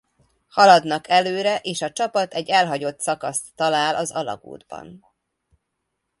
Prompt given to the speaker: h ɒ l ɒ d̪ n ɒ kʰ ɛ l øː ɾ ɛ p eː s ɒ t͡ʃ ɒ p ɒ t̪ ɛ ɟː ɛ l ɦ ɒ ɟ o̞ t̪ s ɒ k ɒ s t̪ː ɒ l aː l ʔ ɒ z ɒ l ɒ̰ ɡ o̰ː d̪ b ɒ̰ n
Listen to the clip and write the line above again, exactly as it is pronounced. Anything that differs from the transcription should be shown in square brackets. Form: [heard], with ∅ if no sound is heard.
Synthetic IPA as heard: h ɒ l ɒ d̪ n ɒ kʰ ɛ l øː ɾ ɛ [ʔ] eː [ʃ] ɒ t͡ʃ ɒ p ɒ t̪ ɛ ɟː ɛ l ɦ ɒ ɟ o̞ t̪ s ɒ k ɒ s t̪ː ɒ l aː l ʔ ɒ z ɒ l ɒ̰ ɡ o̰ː d̪ b ɒ̰ n